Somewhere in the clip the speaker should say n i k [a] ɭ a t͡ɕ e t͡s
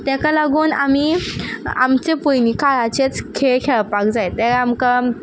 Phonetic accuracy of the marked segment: correct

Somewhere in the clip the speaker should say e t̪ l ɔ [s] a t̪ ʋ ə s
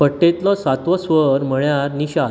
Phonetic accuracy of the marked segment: correct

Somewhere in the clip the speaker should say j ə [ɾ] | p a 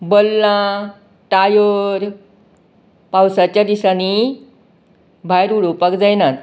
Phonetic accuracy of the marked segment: correct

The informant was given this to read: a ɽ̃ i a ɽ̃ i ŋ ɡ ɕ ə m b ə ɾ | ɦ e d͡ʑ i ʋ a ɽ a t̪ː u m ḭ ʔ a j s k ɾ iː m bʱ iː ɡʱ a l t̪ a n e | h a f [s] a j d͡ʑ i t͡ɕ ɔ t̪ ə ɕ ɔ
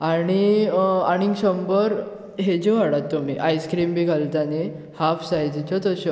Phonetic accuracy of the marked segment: correct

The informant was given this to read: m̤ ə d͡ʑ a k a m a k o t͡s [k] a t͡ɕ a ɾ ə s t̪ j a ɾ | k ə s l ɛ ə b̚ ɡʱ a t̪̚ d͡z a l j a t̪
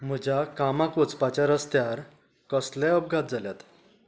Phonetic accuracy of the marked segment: incorrect: p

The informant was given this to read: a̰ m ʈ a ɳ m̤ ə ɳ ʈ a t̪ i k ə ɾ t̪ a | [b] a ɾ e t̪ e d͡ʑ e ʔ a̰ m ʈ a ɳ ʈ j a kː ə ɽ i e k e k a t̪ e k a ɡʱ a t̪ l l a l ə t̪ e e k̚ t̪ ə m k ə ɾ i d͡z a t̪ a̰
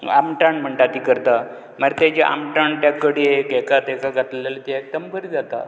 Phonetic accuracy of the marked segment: incorrect: m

